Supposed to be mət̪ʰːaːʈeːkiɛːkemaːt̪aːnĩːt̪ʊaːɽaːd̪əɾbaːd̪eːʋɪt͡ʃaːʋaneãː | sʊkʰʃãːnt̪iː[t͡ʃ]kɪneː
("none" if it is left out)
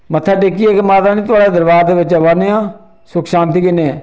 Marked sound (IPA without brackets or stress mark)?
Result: none